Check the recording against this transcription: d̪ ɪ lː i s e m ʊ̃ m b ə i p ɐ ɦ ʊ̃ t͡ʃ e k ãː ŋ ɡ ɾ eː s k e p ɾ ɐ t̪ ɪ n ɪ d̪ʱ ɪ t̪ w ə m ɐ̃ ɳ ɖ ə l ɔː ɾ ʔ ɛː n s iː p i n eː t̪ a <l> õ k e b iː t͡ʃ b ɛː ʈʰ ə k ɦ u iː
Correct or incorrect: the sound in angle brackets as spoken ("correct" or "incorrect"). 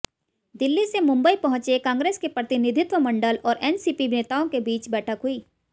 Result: incorrect